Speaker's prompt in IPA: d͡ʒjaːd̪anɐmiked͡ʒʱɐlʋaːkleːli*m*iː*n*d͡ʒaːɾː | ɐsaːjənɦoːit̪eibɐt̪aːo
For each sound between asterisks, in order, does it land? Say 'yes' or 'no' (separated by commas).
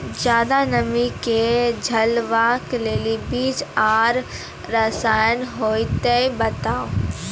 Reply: no, no